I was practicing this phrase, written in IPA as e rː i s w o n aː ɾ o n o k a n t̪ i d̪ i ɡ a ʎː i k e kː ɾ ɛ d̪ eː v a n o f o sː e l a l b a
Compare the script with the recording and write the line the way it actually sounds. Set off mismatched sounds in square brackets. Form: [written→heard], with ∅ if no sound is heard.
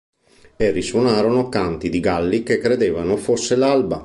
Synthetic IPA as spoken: e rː i s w o n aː ɾ o n o k a n t̪ i d̪ i ɡ a [ʎː→lː] i k e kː ɾ [ɛ→e] d̪ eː v a n o f o sː e l a l b a